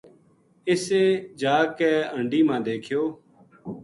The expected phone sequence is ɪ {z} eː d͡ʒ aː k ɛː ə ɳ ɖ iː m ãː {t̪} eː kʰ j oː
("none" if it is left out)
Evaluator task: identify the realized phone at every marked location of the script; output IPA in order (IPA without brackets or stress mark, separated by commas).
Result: s, d̪